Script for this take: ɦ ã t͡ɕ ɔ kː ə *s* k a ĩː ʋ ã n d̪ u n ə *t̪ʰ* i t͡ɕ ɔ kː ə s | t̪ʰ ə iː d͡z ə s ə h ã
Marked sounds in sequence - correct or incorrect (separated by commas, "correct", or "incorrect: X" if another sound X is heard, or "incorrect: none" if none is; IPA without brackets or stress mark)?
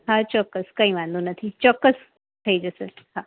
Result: correct, correct